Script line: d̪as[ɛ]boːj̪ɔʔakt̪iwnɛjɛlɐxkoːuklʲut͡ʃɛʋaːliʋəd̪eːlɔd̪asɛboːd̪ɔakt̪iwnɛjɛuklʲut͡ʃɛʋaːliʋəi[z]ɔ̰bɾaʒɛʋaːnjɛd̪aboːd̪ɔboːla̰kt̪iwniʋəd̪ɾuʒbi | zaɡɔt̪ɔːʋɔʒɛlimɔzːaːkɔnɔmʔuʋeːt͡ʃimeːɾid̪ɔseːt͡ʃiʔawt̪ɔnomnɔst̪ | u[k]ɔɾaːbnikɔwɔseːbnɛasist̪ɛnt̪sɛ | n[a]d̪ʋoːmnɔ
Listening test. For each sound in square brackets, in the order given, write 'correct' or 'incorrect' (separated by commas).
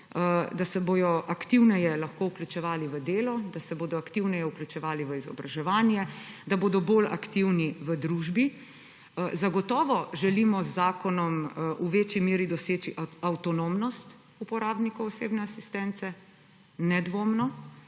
correct, correct, incorrect, incorrect